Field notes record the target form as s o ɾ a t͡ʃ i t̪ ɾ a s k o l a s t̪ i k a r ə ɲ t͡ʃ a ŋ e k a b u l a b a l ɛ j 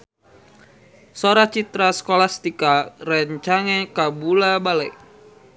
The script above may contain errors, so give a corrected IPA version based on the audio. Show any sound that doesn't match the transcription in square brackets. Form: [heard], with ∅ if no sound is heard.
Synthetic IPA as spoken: s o ɾ a t͡ʃ i t̪ ɾ a s k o l a s t̪ i k a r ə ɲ t͡ʃ a ŋ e k a b u l a b a l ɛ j